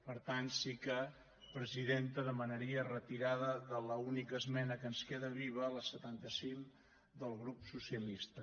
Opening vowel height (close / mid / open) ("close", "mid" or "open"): mid